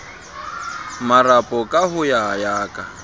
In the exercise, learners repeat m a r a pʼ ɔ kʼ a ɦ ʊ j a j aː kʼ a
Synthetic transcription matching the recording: m a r a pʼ ɔ kʼ a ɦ ʊ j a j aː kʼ a